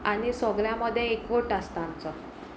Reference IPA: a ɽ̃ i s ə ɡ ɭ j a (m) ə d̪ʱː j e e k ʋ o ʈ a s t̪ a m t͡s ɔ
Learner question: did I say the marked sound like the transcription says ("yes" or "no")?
yes